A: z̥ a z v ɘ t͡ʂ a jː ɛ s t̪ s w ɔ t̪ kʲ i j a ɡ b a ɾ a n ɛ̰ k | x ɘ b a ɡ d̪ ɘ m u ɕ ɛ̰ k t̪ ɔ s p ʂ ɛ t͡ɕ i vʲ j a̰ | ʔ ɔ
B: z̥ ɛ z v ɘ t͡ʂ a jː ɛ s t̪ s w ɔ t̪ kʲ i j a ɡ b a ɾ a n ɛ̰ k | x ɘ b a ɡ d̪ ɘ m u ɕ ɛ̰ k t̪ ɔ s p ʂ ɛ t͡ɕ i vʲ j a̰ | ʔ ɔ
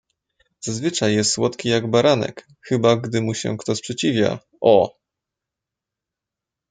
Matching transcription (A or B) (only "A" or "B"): A